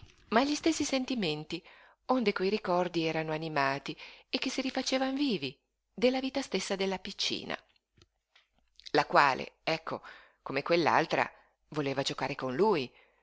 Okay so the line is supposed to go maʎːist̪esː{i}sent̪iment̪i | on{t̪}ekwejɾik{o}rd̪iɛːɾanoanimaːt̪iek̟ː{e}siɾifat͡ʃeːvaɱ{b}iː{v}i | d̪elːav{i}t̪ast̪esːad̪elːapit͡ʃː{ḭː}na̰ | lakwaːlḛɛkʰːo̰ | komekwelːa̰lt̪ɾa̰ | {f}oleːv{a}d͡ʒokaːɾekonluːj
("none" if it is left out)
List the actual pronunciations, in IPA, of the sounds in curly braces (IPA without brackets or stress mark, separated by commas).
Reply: i, d̪, ɔ, e, v, v, iː, ḭː, v, a